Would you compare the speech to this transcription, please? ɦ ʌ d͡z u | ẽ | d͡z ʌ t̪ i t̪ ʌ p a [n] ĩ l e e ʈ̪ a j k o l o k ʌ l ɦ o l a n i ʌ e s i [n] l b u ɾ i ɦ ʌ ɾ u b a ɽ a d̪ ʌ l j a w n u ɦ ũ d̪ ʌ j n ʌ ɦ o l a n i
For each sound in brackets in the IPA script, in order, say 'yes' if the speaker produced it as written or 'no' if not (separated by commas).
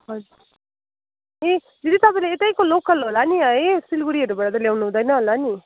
no, no